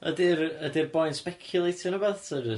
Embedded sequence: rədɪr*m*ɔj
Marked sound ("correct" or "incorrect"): incorrect